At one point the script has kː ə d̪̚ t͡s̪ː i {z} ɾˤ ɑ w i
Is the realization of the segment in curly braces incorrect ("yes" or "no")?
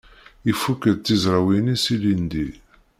no